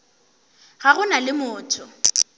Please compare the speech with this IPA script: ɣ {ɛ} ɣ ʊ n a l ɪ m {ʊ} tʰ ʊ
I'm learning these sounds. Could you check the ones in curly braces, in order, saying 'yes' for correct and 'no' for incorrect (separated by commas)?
no, no